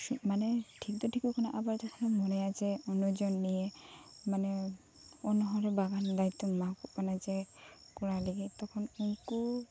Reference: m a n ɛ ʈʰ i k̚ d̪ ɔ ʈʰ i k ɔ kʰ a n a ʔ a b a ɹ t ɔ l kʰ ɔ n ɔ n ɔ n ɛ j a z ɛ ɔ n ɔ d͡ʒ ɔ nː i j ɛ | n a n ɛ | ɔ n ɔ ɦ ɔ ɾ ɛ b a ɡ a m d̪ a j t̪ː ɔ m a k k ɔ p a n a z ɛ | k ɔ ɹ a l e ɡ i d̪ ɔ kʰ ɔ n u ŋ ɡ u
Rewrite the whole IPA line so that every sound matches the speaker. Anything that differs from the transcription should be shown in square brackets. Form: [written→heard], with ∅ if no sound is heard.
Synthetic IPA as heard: m a n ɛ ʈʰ i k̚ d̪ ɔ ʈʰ i k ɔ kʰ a n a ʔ a b a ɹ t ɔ [l→∅] kʰ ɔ n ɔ [n→m] ɔ n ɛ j a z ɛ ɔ n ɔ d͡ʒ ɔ nː i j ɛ | [n→m] a n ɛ | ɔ n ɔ ɦ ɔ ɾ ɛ b a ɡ a [m→n] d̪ a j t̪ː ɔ m a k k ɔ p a n a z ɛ | k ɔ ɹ a l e ɡ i [d̪→t̪] ɔ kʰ ɔ n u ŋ [ɡ→k] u